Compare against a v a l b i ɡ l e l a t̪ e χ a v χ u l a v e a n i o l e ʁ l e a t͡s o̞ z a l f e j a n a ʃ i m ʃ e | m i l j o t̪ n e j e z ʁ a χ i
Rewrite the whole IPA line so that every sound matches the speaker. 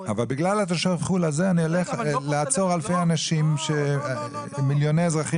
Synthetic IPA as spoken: a v a l b i ɡ l a l a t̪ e ʃ a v χ u l a z e a n i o l e χ l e a t͡s o̞ ʁ a l f e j a n a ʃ i m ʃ e | m i l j o n e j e z ʁ a χ i